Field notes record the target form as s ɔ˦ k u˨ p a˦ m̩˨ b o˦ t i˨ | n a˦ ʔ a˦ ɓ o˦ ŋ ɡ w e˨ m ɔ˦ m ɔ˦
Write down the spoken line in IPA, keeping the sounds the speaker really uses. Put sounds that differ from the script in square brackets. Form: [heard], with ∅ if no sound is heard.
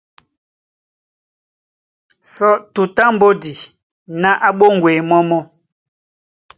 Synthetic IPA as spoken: s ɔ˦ [t] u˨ [t] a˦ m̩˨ b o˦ [d] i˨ | n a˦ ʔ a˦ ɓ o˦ ŋ ɡ w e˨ m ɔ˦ m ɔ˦